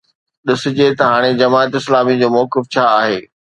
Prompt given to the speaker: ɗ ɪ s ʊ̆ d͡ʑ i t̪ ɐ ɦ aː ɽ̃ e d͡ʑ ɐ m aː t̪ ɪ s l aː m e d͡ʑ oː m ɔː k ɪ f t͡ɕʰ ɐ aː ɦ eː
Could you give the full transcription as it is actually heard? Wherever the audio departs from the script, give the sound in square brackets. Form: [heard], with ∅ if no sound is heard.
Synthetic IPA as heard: ɗ ɪ s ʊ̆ d͡ʑ [e] t̪ ɐ ɦ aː ɽ̃ e d͡ʑ ɐ m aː t̪ ɪ s l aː m [i] d͡ʑ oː m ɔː k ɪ f t͡ɕʰ [a] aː ɦ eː